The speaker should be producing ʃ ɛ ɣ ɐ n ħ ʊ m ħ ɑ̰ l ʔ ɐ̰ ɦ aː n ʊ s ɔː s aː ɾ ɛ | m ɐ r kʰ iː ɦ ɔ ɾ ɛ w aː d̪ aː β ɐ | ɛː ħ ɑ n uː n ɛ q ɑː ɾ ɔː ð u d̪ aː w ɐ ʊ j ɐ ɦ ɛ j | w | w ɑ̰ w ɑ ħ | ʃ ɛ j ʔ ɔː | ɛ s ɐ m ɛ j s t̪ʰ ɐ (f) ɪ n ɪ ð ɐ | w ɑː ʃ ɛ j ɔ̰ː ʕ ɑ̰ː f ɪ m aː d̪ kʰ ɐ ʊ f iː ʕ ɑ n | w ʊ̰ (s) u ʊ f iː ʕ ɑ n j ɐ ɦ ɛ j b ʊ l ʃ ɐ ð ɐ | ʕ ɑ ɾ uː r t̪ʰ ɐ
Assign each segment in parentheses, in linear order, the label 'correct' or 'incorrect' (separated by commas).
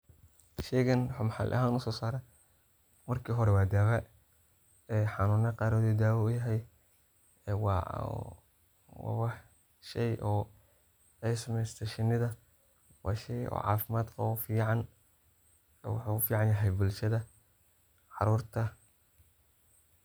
incorrect, incorrect